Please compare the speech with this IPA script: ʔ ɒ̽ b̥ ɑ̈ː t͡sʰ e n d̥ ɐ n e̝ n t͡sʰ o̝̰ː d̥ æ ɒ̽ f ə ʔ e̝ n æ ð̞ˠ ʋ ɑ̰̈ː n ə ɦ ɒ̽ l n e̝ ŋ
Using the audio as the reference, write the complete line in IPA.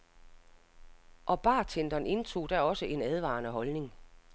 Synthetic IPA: ʔ ɒ̽ b̥ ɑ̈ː t͡sʰ e n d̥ ɐ n e̝ n t͡sʰ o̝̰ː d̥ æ ɒ̽ s ə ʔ e̝ n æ ð̞ˠ ʋ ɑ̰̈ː n ə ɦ ɒ̽ l n e̝ ŋ